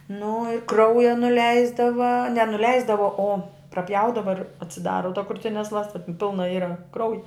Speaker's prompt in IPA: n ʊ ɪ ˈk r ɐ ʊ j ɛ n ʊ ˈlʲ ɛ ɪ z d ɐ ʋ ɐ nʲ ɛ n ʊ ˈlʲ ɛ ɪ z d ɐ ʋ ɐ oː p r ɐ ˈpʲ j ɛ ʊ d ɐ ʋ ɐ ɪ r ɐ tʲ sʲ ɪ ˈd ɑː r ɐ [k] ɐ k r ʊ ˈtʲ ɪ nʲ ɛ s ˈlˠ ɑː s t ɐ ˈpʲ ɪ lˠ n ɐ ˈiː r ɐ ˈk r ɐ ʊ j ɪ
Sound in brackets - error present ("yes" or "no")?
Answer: yes